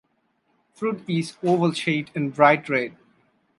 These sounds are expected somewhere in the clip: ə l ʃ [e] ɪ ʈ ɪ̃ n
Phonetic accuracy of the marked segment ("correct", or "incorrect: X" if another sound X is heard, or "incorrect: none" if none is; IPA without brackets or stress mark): correct